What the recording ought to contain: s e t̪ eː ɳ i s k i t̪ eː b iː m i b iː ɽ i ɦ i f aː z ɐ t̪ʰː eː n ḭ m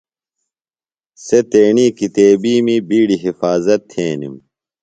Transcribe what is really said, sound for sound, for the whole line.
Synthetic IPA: s e t̪ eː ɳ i k i t̪ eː b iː m i b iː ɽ i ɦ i f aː z ɐ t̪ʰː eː n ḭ m